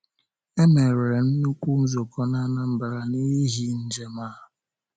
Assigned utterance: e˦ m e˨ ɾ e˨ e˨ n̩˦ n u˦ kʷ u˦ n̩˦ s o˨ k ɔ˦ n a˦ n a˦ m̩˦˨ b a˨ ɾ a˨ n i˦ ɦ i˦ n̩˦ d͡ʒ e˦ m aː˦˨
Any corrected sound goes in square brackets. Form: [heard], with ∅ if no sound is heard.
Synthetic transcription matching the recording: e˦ m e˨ ɾ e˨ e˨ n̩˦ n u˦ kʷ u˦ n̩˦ [z] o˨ k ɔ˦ n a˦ n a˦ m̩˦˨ b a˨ ɾ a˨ n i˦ ɦ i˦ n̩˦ d͡ʒ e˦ m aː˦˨